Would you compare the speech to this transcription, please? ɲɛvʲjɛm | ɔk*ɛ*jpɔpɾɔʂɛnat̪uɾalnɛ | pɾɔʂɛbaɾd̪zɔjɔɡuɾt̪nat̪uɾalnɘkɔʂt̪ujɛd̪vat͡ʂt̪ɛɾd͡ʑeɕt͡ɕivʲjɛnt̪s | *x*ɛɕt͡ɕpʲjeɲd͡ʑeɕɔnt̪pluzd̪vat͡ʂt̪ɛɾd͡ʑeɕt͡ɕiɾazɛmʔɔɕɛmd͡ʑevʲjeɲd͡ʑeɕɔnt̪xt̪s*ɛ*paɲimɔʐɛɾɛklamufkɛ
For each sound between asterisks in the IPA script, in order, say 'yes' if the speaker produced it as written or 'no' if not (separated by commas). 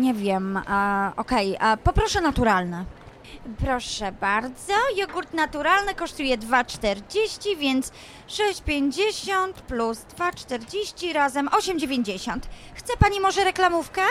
yes, no, yes